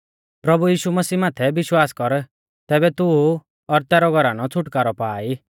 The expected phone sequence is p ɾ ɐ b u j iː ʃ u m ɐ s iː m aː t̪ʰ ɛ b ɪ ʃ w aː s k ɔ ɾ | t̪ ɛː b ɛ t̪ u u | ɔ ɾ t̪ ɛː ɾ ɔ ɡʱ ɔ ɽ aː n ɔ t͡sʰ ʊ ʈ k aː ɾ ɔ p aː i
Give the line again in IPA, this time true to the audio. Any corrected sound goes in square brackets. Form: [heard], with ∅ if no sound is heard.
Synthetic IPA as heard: p ɾ ɐ b u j iː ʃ u m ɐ s iː m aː t̪ʰ ɛ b ɪ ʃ w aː s k ɔ ɾ | t̪ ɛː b ɛ t̪ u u | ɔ ɾ t̪ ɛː ɾ ɔ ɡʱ ɔ [ɾ] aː n ɔ t͡sʰ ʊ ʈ k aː ɾ ɔ p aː i